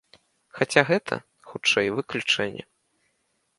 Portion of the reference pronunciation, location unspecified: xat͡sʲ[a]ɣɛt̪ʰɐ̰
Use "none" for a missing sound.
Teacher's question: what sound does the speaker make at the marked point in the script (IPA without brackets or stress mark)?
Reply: a